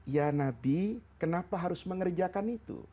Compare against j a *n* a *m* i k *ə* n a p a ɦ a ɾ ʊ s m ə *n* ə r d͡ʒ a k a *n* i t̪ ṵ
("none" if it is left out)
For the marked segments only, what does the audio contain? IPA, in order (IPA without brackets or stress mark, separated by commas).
n, b, ə, ŋ, n